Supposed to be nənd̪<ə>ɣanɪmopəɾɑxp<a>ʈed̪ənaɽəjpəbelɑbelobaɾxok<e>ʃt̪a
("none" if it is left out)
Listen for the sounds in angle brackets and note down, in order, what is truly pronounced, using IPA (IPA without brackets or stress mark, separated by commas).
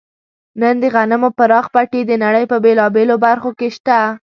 ə, a, e